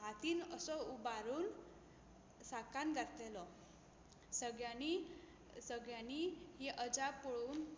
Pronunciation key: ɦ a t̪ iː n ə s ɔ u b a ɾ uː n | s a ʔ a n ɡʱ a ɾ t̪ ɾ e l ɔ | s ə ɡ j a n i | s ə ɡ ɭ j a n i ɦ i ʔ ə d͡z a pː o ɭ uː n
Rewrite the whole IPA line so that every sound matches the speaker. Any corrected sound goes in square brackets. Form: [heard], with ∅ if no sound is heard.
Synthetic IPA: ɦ a t̪ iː n ə s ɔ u b a ɾ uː n | s a [k] a n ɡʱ a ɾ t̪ [l] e l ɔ | s ə ɡ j a n i | s ə ɡ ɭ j a n i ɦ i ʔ ə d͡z a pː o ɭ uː n